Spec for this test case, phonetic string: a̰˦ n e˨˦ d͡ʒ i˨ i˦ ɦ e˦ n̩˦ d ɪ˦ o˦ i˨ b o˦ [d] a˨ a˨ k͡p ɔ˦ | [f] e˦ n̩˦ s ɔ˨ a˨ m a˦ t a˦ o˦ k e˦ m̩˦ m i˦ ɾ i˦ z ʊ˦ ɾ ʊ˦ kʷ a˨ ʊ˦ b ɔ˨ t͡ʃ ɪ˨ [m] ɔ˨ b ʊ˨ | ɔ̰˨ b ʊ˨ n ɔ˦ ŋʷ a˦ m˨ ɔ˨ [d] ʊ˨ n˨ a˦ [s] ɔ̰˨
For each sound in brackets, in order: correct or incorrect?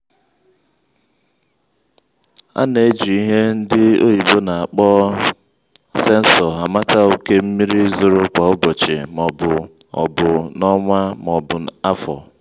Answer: incorrect: n, incorrect: s, correct, incorrect: b, incorrect: f

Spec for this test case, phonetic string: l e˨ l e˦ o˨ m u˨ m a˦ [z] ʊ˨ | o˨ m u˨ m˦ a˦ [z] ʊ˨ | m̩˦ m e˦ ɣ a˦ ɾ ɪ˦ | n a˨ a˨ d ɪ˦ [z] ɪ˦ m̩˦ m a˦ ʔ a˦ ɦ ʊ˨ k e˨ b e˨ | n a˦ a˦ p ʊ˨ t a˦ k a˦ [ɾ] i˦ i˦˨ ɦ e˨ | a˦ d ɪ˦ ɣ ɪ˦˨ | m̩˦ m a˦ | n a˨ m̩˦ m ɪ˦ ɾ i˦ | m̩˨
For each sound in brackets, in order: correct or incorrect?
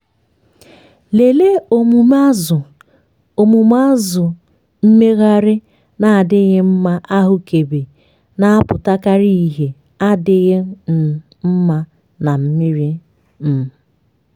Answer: correct, correct, incorrect: ɣ, correct

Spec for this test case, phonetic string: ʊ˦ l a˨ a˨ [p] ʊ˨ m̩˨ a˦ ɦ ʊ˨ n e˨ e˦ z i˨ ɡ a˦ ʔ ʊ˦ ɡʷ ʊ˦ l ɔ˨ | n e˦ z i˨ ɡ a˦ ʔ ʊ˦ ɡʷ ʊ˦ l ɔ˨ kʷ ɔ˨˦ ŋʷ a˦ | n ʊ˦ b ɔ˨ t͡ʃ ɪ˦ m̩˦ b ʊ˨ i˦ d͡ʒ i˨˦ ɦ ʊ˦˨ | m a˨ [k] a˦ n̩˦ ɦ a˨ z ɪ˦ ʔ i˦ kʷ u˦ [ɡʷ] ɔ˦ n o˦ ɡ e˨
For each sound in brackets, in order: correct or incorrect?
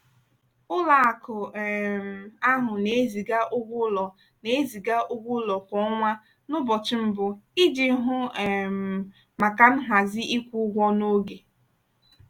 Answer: incorrect: k, correct, correct

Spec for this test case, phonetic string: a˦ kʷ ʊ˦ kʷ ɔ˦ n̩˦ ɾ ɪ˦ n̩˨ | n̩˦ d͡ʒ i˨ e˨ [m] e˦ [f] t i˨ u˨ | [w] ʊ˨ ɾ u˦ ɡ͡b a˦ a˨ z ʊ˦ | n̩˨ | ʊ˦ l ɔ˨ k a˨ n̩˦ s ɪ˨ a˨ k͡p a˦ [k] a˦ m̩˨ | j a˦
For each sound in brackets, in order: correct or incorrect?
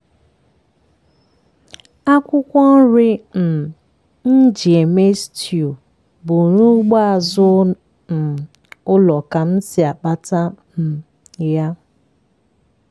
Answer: correct, incorrect: s, incorrect: b, incorrect: t

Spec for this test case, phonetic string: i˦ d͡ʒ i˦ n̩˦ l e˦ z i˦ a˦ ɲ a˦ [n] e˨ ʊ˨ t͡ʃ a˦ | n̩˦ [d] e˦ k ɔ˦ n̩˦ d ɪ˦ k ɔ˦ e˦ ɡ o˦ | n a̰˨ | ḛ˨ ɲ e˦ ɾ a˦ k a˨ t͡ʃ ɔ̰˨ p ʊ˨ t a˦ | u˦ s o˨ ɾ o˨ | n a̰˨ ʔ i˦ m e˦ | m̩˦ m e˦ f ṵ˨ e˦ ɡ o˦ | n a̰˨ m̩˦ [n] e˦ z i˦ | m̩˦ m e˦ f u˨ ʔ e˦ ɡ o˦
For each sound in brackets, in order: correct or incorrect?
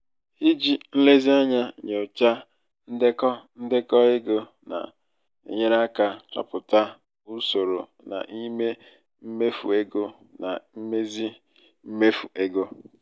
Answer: incorrect: ɲ, correct, incorrect: m

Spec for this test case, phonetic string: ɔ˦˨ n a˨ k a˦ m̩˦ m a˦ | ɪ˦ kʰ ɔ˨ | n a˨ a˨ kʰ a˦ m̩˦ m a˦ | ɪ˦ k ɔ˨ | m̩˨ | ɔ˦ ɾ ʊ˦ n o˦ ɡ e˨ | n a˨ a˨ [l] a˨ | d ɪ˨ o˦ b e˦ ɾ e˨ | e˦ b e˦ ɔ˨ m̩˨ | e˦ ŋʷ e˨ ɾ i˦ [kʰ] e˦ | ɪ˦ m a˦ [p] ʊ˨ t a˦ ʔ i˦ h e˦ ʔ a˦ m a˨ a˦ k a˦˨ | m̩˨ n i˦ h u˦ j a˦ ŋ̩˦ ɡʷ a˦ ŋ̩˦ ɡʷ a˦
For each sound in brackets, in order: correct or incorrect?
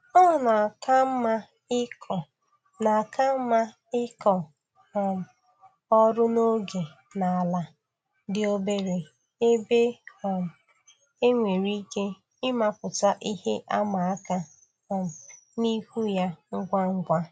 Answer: correct, incorrect: k, correct

